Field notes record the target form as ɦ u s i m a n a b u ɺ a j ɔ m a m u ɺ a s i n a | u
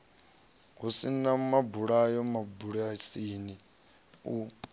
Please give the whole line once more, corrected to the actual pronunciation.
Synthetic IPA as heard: ɦ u s i n a m a b u ɺ a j ɔ m a b u ɺ a s i n i | u